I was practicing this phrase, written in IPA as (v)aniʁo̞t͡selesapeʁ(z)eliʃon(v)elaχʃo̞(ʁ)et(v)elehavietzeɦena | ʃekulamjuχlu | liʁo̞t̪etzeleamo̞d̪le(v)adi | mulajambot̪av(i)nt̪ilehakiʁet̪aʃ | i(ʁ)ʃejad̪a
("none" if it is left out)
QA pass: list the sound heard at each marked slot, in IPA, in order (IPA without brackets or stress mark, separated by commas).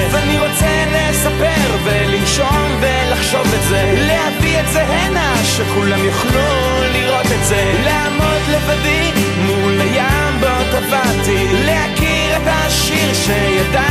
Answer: v, v, v, v, z, v, a, ʁ